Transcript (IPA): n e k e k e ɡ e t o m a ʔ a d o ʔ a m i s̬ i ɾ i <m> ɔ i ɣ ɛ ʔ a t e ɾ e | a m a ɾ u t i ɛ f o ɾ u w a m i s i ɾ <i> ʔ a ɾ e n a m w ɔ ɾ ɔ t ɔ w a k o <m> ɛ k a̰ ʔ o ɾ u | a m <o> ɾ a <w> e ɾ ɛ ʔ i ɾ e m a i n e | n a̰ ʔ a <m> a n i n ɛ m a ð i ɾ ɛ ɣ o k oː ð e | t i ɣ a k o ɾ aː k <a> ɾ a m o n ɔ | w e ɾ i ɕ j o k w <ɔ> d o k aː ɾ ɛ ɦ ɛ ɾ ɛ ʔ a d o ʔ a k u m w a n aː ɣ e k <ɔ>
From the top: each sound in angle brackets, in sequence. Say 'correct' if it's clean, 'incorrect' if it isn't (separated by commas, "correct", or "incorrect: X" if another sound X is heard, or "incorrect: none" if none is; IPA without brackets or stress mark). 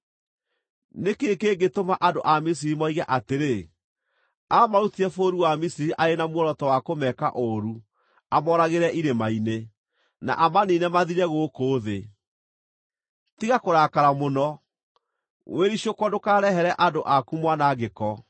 correct, correct, correct, incorrect: ɔ, incorrect: ɣ, correct, correct, correct, correct